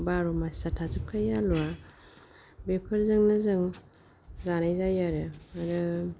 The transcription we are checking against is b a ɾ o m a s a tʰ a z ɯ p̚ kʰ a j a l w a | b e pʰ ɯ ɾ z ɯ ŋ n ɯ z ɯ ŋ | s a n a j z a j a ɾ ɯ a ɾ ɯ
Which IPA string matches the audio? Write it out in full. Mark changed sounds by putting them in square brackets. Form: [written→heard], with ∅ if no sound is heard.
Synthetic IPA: b a ɾ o m a s a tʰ a z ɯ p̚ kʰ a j a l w a | b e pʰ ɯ ɾ z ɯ ŋ n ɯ z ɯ ŋ | [s→z] a n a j z a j a ɾ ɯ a ɾ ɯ